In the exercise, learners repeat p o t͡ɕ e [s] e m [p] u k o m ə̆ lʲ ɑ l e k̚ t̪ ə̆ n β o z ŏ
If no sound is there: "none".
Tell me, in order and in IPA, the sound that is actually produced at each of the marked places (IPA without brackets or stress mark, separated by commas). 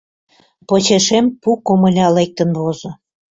ʃ, p